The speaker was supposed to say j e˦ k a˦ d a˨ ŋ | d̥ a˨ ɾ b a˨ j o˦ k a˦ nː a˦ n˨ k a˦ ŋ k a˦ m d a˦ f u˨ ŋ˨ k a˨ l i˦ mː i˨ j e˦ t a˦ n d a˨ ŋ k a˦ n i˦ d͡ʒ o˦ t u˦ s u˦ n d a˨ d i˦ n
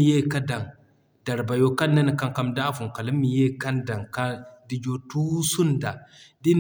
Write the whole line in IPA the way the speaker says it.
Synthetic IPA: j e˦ k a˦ d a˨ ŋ | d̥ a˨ ɾ b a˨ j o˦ k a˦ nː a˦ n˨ k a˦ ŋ k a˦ m d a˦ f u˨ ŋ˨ k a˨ l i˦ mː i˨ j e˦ k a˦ n d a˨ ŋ k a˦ d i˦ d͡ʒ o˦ t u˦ s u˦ n d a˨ d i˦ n